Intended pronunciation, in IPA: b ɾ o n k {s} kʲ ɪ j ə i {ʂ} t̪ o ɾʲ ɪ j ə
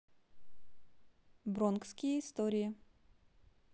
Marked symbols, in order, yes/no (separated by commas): yes, no